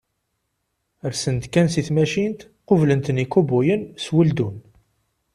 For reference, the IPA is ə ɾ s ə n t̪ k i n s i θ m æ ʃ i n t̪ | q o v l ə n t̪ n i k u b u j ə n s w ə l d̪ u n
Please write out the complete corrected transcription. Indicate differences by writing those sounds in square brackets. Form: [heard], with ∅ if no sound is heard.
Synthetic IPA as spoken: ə ɾ s ə n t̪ k [æ] n s i θ m æ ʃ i n t̪ | q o v l ə n t̪ n i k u b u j ə n s w ə l d̪ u n